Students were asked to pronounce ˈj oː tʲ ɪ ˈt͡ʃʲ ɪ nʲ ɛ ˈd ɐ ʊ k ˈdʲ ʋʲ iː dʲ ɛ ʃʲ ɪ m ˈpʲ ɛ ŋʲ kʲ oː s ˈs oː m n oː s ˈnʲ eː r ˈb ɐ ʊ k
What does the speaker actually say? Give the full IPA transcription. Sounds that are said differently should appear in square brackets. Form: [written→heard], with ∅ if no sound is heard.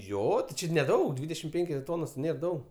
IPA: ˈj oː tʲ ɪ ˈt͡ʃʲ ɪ nʲ ɛ ˈd ɐ ʊ k ˈdʲ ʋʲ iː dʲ ɛ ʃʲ ɪ m ˈpʲ ɛ ŋʲ kʲ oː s [ˈs→ˈt] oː [m→∅] n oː s ˈnʲ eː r [ˈb→ˈd] ɐ ʊ k